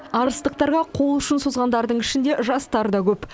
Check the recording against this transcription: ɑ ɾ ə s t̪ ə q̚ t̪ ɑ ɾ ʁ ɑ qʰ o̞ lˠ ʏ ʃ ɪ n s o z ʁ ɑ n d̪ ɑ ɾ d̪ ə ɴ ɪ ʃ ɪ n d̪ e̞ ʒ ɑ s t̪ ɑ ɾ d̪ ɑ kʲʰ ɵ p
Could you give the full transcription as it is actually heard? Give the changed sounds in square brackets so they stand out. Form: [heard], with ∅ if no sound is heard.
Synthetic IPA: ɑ ɾ ə s t̪ ə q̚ t̪ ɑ ɾ ʁ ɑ qʰ o̞ lˠ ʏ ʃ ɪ n s o z ʁ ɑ n d̪ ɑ ɾ d̪ ə ɴ ɪ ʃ ɪ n d̪ e̞ ʒ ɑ s t̪ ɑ ɾ d̪ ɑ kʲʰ ɵ p